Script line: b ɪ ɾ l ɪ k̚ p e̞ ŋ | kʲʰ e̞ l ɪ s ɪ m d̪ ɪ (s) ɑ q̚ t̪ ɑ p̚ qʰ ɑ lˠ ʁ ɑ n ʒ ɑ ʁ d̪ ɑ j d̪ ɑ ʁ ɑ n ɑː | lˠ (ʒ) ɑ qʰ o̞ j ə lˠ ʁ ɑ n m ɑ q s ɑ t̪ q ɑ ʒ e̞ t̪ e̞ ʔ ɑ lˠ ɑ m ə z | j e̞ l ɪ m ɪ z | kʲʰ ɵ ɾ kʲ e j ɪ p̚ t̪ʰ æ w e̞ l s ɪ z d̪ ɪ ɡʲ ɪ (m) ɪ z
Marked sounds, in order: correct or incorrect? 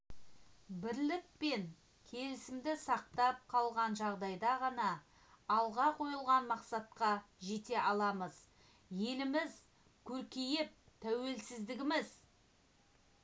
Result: correct, incorrect, correct

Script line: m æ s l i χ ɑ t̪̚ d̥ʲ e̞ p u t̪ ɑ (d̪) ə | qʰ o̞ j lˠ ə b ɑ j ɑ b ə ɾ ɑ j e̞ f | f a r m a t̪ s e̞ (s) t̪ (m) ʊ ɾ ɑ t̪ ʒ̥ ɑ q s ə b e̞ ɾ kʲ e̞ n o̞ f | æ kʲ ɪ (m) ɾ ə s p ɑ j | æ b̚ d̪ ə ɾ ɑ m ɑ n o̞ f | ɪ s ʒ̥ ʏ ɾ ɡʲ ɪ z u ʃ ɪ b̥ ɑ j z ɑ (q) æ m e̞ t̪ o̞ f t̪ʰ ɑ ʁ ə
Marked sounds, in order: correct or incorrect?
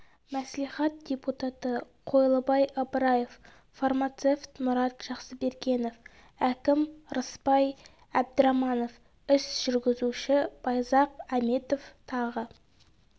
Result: incorrect, incorrect, correct, correct, correct

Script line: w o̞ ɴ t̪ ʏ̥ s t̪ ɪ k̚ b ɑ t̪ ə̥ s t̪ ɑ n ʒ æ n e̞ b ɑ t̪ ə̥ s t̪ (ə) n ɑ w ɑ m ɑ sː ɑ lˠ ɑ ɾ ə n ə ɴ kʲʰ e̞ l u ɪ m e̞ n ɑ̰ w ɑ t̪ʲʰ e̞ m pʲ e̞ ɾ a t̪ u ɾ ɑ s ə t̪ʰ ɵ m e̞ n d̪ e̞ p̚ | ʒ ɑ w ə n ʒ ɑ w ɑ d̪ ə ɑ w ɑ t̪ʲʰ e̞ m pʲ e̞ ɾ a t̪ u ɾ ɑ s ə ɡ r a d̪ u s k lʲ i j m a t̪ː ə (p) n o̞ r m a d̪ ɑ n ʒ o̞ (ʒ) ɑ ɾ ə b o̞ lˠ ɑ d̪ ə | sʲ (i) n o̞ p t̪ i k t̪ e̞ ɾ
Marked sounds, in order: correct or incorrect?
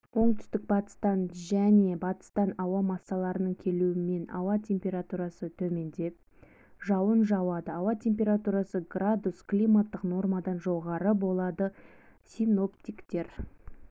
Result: incorrect, incorrect, incorrect, correct

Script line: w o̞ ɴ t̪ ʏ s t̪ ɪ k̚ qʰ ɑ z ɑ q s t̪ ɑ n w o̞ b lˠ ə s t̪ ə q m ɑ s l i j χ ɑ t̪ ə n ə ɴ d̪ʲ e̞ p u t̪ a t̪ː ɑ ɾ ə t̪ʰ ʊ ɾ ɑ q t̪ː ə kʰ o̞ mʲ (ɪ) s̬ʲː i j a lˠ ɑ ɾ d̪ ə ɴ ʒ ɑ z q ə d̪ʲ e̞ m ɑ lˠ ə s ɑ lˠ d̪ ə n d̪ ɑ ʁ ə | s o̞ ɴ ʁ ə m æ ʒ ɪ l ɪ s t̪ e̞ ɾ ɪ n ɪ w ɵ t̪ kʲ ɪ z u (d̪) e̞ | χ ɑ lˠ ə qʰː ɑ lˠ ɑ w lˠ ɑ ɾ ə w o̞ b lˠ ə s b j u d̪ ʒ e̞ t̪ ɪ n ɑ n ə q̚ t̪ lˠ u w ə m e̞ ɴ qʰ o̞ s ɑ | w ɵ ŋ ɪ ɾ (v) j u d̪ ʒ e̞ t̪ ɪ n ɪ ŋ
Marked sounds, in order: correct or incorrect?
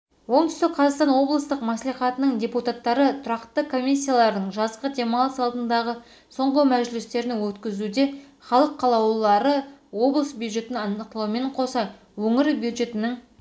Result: incorrect, correct, incorrect

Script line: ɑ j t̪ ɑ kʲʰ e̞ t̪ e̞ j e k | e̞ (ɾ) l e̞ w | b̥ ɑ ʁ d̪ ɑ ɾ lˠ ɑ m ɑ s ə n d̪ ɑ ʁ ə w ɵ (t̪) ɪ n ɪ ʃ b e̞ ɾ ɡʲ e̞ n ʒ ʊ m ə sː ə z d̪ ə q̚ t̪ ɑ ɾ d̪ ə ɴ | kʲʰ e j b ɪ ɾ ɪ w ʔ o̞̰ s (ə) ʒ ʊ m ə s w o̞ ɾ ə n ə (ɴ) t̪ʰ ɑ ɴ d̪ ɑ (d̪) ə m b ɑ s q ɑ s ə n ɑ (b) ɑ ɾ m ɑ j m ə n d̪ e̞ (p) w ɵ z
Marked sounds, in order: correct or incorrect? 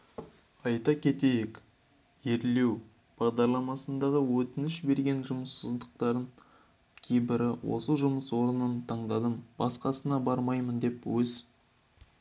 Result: correct, correct, correct, incorrect, correct, correct, correct

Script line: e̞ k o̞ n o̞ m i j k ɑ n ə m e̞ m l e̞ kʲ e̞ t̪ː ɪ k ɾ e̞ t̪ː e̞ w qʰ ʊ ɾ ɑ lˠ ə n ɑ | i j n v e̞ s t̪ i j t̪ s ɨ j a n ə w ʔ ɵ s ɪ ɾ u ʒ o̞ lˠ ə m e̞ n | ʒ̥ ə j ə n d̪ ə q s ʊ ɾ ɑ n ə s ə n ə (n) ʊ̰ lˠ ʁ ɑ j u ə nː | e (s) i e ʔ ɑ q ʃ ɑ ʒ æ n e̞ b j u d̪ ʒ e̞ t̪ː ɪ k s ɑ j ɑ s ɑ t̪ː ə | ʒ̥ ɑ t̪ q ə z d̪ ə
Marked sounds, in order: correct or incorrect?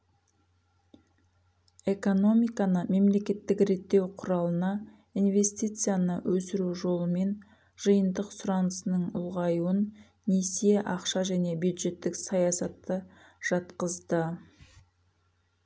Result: incorrect, correct

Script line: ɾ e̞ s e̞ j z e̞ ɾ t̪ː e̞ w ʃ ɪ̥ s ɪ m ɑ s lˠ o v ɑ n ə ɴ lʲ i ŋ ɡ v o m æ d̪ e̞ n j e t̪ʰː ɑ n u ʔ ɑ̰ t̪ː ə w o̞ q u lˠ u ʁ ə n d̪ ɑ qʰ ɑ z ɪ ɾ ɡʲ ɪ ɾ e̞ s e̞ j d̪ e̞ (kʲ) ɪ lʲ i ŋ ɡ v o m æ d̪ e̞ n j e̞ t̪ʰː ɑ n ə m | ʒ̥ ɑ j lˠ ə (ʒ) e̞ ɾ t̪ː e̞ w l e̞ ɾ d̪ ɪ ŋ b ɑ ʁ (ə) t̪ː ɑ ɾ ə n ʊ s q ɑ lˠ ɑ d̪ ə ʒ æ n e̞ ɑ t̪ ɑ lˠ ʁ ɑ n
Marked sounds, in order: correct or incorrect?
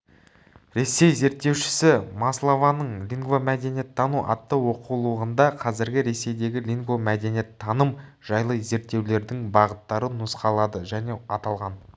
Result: incorrect, incorrect, correct

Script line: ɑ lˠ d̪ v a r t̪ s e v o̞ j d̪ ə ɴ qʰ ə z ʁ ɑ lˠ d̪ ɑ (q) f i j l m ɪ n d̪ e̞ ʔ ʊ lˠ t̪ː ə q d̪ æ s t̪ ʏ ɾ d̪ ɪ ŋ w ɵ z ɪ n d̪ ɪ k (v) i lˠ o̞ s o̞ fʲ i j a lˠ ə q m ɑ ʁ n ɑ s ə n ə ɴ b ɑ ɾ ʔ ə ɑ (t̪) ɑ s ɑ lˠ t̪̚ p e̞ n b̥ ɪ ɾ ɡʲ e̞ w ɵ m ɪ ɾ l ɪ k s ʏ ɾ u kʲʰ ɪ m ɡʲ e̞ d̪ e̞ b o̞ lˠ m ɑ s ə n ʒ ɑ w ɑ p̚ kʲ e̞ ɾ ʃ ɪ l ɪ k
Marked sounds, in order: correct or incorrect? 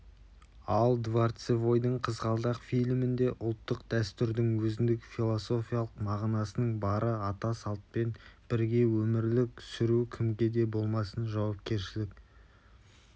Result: correct, incorrect, correct

